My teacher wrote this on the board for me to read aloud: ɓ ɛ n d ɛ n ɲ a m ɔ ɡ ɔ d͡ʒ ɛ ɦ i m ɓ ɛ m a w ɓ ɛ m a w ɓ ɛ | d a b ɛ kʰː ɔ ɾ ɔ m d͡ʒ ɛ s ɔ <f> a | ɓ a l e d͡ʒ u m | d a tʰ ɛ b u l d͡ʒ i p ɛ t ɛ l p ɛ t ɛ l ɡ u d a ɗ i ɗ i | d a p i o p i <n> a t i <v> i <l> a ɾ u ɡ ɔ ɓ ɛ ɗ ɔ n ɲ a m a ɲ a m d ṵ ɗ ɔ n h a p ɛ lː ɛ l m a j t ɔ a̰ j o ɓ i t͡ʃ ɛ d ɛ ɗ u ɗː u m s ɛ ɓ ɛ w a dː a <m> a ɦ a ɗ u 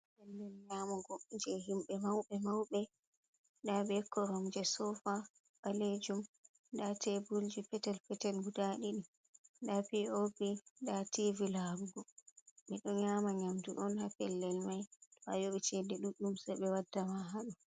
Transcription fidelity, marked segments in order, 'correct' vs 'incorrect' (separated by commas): correct, incorrect, correct, correct, correct